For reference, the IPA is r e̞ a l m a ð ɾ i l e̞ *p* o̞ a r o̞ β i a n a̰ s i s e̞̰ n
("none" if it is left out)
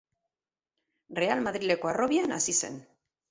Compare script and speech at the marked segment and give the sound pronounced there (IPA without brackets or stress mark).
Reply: k